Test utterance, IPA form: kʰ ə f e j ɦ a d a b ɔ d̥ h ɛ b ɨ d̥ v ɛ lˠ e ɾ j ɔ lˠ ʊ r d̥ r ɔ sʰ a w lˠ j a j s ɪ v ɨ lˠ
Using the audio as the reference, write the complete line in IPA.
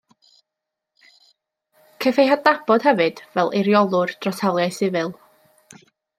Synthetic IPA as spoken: kʰ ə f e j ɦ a d a b ɔ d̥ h ɛ v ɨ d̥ v ɛ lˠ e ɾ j ɔ lˠ ʊ r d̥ r ɔ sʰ a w lˠ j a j s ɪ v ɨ lˠ

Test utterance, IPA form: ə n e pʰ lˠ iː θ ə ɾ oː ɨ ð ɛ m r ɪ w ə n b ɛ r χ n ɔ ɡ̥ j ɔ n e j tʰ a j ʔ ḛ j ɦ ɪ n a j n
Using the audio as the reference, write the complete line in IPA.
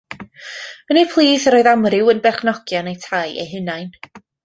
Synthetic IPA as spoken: ə n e pʰ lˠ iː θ ə ɾ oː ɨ ð a m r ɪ w ə n b ɛ r χ n ɔ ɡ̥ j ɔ n e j tʰ a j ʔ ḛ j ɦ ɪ n a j n

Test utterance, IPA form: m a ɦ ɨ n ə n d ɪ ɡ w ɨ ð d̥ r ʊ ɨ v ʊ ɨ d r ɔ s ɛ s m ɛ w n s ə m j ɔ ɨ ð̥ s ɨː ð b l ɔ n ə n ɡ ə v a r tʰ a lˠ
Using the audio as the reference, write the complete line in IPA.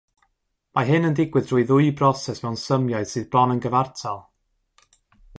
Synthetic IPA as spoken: m a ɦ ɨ n ə n d ɪ ɡ w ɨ ð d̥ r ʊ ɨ ð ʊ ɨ b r ɔ s ɛ s m ɛ w n s ə m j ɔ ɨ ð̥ s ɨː ð b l ɔ n ə n ɡ ə v a r tʰ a lˠ

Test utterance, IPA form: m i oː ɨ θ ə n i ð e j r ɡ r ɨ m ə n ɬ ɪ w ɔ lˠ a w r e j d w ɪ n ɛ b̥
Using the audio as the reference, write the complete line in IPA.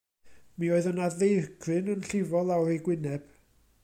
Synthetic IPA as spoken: m i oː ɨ ð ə n a ð e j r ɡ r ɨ n ə n ɬ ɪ v ɔ lˠ a w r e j ɡ w ɪ n ɛ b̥

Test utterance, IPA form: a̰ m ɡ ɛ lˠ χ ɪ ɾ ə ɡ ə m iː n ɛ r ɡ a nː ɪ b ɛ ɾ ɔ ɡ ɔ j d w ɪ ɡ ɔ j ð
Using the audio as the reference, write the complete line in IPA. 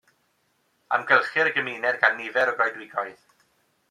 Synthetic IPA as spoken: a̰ m ɡ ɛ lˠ χ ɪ ɾ ə ɡ ə m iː n ɛ r ɡ a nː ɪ v ɛ ɾ ɔ ɡ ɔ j d w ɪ ɡ ɔ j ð

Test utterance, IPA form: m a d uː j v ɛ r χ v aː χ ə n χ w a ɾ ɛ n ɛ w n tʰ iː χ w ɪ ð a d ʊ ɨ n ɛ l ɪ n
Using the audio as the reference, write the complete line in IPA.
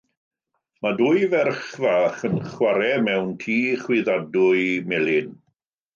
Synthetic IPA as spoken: m a d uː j v ɛ r χ v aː χ ə n χ w a ɾ ɛ m ɛ w n tʰ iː χ w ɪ ð a d ʊ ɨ m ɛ l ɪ n

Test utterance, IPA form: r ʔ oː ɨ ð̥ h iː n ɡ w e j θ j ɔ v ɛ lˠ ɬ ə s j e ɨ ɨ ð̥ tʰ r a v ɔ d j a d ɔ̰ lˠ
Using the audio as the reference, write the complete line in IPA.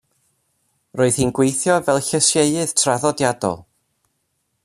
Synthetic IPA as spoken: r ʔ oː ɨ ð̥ h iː n ɡ w e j θ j ɔ v ɛ lˠ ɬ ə s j e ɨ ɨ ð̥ tʰ r a ð ɔ d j a d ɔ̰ lˠ

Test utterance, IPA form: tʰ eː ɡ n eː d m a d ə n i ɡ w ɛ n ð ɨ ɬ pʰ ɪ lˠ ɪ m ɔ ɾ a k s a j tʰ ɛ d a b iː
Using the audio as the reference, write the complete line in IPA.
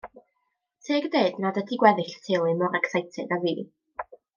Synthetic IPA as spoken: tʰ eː ɡ d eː d n a d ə d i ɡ w ɛ ð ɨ ɬ tʰ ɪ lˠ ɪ m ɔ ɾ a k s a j tʰ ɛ d a v iː

